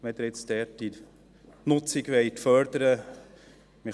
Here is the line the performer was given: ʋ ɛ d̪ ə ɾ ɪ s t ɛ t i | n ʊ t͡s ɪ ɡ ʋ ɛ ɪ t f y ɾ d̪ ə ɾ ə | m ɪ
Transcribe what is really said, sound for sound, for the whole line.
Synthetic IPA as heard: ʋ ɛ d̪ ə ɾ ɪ t͡s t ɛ t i | n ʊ t͡s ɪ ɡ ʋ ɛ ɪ t f œ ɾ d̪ ə ɾ ə | m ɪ